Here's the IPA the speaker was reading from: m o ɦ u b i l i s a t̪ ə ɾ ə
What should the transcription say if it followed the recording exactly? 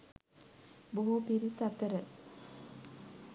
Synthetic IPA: b o ɦ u p i ɾ i s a t̪ ə ɾ ə